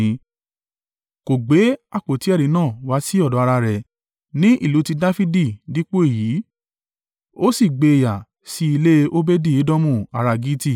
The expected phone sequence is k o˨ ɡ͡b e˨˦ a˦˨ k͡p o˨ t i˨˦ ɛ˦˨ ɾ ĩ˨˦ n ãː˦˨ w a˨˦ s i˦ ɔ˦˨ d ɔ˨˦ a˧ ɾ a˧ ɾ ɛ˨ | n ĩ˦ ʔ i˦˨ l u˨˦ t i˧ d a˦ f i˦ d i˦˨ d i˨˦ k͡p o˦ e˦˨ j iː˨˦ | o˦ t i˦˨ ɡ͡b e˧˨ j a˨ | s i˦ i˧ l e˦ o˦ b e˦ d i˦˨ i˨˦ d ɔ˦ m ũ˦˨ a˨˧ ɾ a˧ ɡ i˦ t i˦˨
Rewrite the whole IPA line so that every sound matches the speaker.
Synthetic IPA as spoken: k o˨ ɡ͡b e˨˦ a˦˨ k͡p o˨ t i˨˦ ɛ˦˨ ɾ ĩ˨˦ n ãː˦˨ w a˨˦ s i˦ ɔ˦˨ d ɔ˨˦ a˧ ɾ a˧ ɾ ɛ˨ | n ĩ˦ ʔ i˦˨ l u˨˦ t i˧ d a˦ f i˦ d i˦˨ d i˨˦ k͡p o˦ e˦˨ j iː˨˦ | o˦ s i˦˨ ɡ͡b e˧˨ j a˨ | s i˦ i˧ l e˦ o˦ b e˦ d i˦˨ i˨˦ d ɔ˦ m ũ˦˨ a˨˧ ɾ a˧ ɡ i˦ t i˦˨